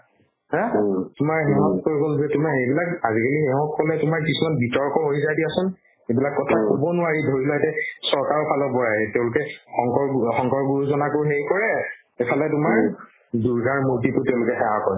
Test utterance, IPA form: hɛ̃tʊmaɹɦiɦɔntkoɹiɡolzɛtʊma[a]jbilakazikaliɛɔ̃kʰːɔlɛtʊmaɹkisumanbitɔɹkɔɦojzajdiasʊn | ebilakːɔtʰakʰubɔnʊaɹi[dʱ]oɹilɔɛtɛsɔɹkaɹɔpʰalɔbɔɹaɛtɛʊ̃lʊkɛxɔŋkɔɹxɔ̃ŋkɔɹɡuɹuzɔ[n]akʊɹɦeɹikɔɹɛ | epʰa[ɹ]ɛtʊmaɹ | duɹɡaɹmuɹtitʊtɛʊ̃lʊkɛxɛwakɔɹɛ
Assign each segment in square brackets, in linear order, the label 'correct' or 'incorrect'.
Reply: incorrect, correct, correct, incorrect

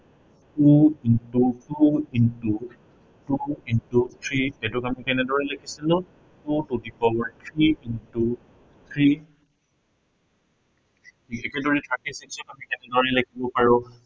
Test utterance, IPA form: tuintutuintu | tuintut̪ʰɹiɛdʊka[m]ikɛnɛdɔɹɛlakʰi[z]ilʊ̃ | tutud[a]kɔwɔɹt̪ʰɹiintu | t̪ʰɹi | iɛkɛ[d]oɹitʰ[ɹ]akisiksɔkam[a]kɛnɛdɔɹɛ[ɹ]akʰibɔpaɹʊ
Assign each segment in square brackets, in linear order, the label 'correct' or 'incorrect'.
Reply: correct, incorrect, incorrect, correct, correct, incorrect, incorrect

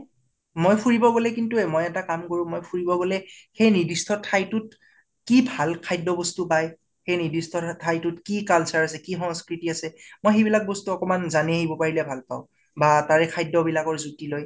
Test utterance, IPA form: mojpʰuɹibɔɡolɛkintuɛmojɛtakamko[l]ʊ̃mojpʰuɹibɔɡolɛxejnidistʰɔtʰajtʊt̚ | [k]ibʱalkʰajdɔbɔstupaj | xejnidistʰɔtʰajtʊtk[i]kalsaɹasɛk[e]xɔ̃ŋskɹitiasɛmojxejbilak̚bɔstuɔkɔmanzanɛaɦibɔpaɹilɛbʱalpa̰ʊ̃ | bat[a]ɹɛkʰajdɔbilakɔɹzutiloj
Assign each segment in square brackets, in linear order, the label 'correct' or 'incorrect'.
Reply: incorrect, correct, correct, incorrect, correct

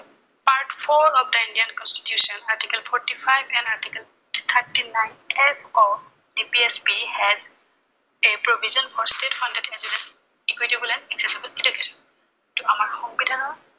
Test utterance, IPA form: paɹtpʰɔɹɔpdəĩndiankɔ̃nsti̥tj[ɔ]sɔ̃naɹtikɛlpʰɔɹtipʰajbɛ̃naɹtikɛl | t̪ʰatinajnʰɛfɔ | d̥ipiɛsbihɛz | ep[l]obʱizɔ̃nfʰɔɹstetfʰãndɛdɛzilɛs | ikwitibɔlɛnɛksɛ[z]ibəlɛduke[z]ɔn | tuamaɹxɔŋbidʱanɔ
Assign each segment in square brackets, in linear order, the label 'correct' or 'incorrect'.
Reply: incorrect, incorrect, incorrect, incorrect

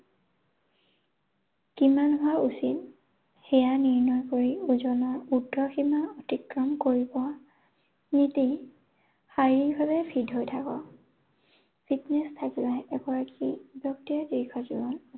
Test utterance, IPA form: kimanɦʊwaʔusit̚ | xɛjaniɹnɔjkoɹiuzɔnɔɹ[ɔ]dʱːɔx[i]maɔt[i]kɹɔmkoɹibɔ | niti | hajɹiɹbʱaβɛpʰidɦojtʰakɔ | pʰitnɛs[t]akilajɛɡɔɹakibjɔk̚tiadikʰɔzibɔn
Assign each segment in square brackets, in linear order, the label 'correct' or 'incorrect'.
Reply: incorrect, correct, correct, incorrect

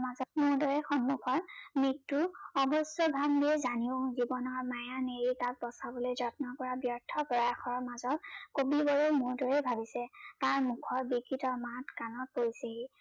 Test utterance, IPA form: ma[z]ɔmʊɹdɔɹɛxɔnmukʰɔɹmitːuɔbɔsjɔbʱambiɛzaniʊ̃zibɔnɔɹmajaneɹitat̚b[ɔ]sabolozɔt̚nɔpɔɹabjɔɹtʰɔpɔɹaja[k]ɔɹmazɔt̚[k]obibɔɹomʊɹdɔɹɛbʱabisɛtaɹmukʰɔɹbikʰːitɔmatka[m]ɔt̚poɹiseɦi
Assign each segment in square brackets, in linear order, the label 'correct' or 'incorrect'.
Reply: correct, correct, incorrect, correct, incorrect

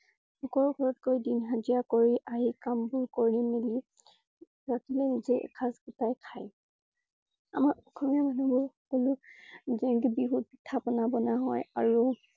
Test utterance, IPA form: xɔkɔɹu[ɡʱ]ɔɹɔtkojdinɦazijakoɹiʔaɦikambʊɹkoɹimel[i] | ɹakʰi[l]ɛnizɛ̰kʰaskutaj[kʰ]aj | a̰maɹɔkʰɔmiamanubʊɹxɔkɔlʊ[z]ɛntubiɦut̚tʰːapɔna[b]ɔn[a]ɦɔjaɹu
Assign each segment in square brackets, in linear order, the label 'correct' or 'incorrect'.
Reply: correct, correct, correct, correct, correct, correct, correct

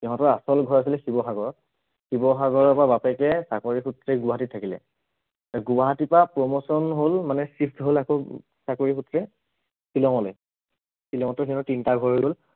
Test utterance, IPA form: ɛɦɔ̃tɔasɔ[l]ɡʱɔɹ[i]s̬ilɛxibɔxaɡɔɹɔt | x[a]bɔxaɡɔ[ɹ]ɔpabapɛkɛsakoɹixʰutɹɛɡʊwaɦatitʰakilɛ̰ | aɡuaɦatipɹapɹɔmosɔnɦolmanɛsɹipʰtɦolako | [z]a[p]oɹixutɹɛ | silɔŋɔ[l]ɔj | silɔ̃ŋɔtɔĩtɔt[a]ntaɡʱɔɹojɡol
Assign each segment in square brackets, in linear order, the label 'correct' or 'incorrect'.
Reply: correct, incorrect, incorrect, correct, incorrect, incorrect, correct, incorrect

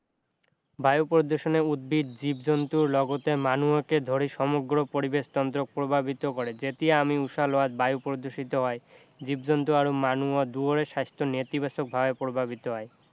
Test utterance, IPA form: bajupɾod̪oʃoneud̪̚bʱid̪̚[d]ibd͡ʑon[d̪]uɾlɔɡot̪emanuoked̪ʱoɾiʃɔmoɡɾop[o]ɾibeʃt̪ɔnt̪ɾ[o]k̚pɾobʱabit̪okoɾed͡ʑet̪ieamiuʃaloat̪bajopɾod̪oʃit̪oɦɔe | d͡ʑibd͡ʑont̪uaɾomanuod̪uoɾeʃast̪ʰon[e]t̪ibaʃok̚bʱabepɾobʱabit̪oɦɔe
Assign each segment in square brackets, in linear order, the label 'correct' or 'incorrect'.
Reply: incorrect, incorrect, correct, correct, correct

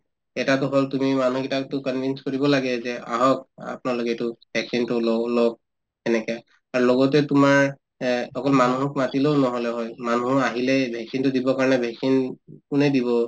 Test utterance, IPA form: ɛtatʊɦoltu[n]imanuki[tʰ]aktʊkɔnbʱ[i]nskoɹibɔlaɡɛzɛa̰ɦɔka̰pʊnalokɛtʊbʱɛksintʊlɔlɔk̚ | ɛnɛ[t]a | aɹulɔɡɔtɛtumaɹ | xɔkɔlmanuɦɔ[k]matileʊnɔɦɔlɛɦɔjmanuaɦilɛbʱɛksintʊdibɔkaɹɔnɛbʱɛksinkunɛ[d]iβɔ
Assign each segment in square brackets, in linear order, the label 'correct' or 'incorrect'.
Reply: incorrect, incorrect, correct, incorrect, correct, correct

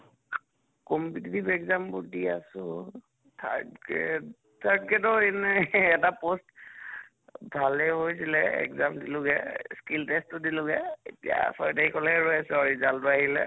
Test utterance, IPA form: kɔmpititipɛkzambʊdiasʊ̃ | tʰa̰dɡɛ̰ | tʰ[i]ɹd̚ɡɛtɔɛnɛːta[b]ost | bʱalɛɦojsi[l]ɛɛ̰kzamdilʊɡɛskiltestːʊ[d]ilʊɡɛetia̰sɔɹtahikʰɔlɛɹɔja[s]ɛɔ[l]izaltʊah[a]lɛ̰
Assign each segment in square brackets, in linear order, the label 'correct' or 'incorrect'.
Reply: incorrect, incorrect, correct, correct, correct, incorrect, incorrect

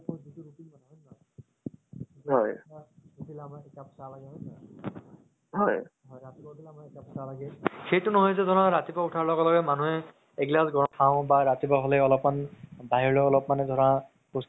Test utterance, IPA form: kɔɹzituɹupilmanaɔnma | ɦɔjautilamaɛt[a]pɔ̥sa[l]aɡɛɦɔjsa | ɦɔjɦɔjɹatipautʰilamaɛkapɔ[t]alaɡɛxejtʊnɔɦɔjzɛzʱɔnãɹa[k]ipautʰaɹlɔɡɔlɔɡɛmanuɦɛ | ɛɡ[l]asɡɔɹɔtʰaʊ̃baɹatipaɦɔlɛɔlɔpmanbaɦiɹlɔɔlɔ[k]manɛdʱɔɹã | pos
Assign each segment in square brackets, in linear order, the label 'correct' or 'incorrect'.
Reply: correct, correct, incorrect, incorrect, correct, incorrect

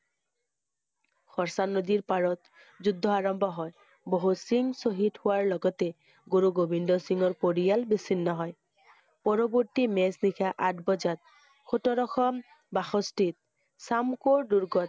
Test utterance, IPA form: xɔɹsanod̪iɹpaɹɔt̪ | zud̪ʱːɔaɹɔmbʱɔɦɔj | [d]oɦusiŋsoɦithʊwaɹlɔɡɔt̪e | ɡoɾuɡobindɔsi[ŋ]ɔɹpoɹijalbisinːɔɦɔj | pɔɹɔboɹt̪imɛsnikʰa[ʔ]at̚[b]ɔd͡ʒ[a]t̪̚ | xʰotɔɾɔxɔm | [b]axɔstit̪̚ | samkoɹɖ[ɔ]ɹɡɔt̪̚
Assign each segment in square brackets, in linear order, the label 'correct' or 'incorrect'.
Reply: incorrect, correct, correct, correct, correct, correct, incorrect

